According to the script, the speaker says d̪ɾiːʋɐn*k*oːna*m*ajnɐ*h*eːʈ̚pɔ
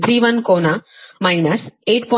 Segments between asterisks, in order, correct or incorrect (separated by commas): correct, correct, incorrect